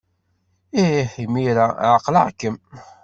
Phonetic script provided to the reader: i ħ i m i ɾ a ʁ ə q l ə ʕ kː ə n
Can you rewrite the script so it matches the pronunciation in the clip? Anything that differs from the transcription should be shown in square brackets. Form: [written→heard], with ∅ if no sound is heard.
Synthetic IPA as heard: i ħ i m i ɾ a [ʁ→ʕ] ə q l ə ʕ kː ə [n→m]